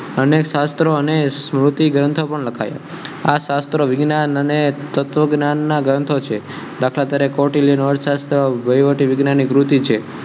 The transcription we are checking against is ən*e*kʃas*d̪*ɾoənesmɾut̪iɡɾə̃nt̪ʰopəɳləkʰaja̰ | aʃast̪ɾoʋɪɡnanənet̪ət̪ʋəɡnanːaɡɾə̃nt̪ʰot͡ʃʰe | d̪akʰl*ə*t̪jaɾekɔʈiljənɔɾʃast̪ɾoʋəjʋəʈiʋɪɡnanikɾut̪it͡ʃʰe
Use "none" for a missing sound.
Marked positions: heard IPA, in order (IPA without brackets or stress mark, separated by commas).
e, t̪, a